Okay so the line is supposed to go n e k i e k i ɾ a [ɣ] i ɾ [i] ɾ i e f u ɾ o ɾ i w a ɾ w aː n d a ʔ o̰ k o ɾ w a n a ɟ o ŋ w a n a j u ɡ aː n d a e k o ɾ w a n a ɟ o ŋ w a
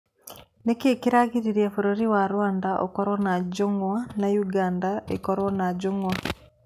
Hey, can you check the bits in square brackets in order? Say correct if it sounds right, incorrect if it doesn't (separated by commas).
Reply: correct, correct